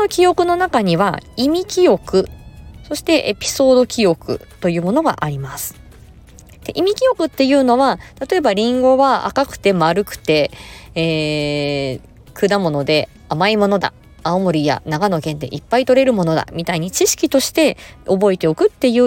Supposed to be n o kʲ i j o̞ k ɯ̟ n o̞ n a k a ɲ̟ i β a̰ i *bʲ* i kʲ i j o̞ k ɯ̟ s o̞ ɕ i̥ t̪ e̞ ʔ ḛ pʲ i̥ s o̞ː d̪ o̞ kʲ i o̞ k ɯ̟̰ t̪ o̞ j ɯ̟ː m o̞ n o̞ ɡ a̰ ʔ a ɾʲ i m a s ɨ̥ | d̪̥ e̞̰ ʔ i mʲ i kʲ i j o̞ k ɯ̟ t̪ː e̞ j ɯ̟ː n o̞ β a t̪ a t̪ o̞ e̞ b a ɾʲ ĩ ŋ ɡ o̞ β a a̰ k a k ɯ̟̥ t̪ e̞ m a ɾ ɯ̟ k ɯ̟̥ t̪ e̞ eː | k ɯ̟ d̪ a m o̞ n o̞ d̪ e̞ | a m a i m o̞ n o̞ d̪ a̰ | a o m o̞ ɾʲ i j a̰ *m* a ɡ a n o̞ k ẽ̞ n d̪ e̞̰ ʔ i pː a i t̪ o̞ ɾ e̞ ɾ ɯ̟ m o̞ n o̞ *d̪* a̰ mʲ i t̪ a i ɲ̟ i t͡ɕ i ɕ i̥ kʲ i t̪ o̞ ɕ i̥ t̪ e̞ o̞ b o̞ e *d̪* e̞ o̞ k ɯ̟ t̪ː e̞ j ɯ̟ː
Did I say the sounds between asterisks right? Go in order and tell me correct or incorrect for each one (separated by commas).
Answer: incorrect, incorrect, correct, incorrect